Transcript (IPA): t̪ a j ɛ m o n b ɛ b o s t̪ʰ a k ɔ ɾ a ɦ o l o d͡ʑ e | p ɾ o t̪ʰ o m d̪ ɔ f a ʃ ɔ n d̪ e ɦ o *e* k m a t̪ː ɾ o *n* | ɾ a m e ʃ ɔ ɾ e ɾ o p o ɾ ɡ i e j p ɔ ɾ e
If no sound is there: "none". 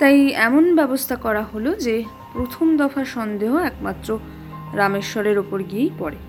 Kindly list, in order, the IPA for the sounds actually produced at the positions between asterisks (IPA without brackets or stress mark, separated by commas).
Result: ɛ, none